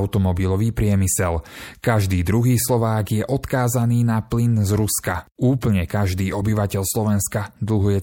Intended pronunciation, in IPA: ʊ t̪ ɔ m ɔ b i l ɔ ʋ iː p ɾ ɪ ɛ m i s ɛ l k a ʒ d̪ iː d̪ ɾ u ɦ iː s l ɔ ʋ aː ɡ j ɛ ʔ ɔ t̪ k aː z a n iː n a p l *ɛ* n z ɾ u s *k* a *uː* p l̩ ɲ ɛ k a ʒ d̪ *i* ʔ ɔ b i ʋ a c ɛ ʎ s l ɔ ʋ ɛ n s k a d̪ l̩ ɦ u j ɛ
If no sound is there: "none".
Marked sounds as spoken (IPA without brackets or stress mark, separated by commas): i, k, uː, iː